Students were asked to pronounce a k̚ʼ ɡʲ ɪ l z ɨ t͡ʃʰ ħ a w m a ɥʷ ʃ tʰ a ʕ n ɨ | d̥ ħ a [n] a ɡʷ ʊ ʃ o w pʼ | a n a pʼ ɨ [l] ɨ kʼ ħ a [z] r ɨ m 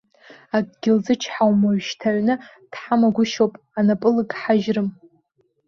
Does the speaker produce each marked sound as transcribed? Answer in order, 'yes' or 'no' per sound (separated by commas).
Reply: no, yes, no